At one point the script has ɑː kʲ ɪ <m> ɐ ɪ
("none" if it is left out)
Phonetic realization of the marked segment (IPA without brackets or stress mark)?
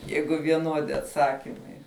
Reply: m